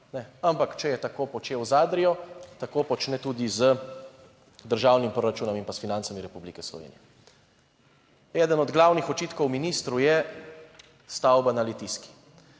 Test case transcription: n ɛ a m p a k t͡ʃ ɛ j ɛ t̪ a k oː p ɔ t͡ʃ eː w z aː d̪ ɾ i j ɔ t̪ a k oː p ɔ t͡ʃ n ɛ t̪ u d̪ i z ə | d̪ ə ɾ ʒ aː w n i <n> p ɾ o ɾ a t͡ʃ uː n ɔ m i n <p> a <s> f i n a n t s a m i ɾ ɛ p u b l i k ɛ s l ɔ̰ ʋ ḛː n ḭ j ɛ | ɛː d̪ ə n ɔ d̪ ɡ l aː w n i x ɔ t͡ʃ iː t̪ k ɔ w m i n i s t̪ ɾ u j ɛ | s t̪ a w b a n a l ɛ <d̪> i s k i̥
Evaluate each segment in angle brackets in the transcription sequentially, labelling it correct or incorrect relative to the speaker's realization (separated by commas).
incorrect, correct, correct, incorrect